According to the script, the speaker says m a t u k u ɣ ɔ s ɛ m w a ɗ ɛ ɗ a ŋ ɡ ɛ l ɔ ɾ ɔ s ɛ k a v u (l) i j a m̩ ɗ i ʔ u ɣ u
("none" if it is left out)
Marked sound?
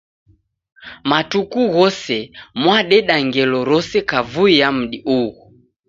none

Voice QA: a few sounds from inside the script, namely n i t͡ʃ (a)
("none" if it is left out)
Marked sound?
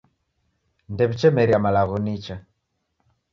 a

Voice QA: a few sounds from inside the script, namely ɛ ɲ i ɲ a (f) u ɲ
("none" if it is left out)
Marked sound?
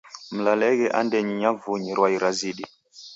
v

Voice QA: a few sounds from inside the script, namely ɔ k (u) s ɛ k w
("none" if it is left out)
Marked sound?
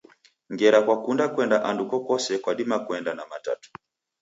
ɔ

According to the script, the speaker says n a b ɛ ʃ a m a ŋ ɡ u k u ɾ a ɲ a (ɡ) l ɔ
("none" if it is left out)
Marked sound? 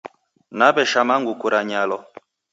none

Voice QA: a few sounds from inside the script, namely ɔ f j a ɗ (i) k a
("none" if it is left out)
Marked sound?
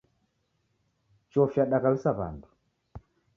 a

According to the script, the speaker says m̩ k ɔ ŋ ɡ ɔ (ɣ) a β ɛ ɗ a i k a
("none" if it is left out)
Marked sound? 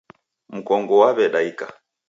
w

